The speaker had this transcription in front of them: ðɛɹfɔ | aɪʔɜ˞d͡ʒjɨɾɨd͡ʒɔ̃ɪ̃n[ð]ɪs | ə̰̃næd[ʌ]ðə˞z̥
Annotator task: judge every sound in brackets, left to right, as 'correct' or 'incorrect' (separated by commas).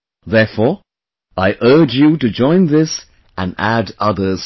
correct, correct